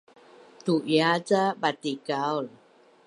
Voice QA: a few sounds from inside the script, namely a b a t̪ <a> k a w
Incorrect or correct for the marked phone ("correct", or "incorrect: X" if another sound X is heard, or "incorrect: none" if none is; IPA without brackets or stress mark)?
incorrect: i